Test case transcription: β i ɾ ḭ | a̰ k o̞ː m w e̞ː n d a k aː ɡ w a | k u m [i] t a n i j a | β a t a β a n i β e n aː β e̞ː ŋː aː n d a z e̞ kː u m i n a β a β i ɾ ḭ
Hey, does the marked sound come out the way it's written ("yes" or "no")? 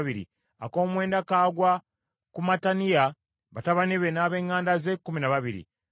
no